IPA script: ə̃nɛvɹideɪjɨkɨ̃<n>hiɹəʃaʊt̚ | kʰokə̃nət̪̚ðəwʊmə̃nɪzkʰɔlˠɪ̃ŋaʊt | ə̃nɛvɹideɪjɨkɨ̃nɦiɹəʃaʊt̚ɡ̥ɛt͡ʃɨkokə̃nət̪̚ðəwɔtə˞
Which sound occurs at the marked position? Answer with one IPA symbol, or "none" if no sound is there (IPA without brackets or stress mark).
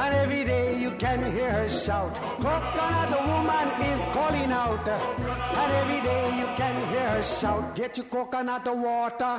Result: n